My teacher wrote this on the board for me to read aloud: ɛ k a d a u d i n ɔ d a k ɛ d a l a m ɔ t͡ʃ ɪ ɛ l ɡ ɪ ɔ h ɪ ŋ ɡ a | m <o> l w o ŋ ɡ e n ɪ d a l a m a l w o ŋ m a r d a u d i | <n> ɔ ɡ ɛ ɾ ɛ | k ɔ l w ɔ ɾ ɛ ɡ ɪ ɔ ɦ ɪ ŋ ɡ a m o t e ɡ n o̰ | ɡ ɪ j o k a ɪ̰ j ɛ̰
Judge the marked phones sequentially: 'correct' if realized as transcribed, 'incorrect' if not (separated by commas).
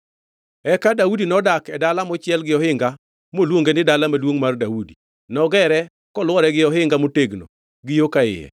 correct, correct